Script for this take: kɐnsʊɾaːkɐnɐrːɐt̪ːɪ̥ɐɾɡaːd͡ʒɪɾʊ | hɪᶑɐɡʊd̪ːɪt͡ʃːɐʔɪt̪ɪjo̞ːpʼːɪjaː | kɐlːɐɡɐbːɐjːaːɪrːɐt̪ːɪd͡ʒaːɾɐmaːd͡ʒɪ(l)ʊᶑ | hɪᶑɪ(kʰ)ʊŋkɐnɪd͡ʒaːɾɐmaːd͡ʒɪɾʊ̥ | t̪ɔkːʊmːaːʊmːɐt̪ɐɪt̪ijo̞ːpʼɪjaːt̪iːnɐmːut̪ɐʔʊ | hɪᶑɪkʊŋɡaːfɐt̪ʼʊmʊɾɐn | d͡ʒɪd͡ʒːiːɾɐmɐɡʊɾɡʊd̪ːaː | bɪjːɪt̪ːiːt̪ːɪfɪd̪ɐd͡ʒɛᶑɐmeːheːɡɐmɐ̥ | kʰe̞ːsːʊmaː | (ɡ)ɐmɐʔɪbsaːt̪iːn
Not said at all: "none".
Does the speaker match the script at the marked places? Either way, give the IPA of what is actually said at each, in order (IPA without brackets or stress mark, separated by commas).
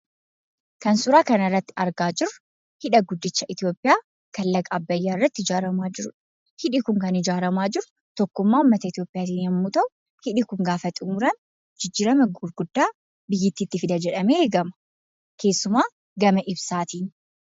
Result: ɾ, k, ɡ